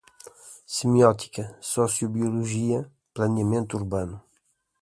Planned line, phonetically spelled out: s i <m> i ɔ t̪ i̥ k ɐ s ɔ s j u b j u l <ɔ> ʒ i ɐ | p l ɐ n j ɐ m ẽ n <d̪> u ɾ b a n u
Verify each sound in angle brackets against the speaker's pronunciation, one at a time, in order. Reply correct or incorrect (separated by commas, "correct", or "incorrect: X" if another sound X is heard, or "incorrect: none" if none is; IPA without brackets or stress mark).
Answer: correct, incorrect: u, incorrect: t̪